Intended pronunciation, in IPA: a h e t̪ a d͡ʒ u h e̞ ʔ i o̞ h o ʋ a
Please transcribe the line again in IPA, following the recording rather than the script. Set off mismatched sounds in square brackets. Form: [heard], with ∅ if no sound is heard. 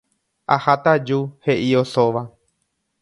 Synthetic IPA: a h [a] t̪ a d͡ʒ u h e̞ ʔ i o̞ [s] o ʋ a